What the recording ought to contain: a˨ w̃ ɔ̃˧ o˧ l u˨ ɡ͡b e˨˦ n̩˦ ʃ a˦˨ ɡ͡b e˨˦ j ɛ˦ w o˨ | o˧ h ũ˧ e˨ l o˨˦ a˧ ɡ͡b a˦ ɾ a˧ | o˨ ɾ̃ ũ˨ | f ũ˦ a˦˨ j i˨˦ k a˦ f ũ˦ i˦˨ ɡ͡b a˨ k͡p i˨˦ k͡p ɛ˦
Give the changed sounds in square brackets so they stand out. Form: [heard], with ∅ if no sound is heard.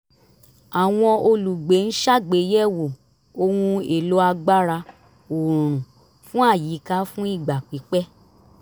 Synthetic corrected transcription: a˨ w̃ ɔ̃˧ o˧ l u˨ ɡ͡b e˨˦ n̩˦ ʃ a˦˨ ɡ͡b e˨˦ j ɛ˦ w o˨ | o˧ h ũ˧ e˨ l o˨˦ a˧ ɡ͡b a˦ ɾ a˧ | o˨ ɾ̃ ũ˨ | f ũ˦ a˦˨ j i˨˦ k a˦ f ũ˦ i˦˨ ɡ͡b a˨ k͡p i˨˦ k͡p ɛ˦